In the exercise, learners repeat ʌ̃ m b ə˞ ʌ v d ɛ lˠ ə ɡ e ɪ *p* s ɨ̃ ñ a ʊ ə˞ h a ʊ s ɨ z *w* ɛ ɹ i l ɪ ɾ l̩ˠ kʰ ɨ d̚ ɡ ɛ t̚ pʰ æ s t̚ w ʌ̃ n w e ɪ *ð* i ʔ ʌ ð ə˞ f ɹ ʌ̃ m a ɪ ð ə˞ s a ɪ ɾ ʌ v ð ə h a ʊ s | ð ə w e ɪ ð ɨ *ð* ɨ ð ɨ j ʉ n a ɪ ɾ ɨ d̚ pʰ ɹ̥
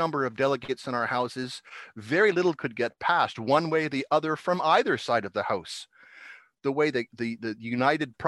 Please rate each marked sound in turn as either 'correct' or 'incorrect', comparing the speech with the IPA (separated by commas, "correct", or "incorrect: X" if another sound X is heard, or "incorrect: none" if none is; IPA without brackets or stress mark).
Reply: incorrect: t, incorrect: v, correct, correct